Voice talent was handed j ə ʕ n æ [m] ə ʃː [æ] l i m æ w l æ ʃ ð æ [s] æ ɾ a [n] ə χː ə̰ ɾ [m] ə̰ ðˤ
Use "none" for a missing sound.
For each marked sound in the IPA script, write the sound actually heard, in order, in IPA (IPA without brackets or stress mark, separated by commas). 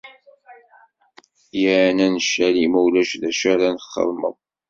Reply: n, æ, ʃ, n, m